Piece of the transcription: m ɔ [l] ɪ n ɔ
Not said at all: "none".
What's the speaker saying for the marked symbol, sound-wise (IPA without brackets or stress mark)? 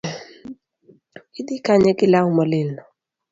l